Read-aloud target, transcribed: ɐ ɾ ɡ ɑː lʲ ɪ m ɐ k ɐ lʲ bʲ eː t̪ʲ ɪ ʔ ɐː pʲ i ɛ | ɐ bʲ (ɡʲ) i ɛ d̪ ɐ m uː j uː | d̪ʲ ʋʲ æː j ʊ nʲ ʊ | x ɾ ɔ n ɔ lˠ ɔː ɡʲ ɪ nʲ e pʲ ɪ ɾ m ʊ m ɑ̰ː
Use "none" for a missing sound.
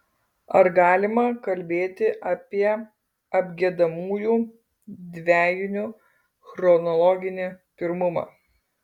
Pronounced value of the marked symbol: ɡʲ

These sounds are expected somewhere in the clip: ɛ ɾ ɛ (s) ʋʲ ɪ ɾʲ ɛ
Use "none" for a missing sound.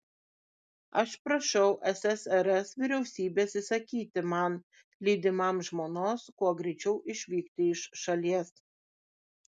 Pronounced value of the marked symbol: s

